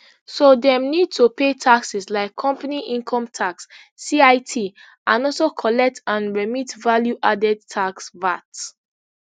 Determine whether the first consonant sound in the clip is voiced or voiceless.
voiceless